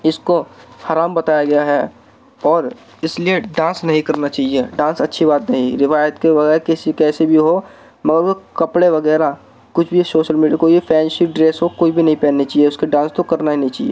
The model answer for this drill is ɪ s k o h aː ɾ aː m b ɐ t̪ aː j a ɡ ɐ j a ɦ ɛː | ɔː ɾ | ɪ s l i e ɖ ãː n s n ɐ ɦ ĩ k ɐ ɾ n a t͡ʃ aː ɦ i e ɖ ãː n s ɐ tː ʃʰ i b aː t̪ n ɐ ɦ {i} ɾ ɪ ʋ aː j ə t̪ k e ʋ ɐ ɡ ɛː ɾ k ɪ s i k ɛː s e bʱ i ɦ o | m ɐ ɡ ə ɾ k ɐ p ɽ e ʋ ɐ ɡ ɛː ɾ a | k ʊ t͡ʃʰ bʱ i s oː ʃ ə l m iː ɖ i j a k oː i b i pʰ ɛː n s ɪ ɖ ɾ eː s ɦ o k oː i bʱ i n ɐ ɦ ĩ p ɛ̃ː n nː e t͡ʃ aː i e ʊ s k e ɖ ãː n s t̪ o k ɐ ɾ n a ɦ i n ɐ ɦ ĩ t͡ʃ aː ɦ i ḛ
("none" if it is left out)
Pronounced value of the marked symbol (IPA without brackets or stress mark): ĩ